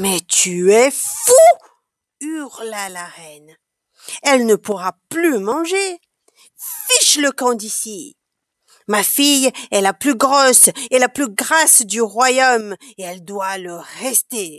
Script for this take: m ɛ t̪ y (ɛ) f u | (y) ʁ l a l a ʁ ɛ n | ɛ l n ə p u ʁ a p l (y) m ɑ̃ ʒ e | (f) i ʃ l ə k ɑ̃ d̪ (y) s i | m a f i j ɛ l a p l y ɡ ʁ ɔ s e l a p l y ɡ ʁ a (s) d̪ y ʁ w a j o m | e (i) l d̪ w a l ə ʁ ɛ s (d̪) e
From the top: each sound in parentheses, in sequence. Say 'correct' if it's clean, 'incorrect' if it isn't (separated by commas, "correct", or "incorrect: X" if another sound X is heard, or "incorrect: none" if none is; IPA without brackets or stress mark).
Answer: correct, correct, correct, correct, incorrect: i, correct, incorrect: ɛ, incorrect: t̪